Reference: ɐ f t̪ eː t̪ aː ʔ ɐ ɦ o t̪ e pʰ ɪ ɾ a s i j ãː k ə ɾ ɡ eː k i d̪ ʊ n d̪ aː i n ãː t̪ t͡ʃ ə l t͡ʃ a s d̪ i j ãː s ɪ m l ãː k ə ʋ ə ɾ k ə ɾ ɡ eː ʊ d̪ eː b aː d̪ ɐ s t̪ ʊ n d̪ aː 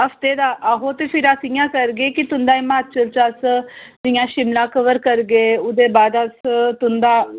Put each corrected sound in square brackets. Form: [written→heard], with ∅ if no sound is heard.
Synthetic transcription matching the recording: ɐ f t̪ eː [t̪→d̪] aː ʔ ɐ ɦ o t̪ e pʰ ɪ ɾ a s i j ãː k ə ɾ ɡ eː k i [d̪→t̪] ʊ n d̪ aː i [n→m] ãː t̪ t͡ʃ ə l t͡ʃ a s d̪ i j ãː [s→ʃ] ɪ m l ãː k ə ʋ ə ɾ k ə ɾ ɡ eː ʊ d̪ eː b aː d̪ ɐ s t̪ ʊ n d̪ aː